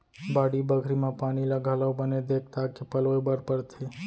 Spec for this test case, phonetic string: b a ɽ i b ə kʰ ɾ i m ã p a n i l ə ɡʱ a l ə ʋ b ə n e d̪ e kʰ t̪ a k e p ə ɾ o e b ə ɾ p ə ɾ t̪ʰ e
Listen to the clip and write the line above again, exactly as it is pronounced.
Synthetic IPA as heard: b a ɽ i b ə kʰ ɾ i m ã p a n i l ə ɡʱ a l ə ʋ b ə n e d̪ e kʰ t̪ a k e p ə l o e b ə ɾ p ə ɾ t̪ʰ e